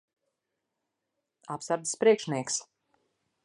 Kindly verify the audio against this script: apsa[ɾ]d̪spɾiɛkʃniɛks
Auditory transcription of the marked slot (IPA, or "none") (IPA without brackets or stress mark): ɾ